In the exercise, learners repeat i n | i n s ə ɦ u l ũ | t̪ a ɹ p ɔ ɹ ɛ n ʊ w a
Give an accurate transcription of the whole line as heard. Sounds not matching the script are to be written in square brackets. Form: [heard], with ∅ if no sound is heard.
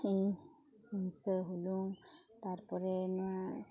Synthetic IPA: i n | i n s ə ɦ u l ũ | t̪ a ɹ p ɔ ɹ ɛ n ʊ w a